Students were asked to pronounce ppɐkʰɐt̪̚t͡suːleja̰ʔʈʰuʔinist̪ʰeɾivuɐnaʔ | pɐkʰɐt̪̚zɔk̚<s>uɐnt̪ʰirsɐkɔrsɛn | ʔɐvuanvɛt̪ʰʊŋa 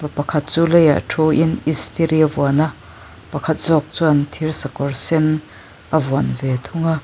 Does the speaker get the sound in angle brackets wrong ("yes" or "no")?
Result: yes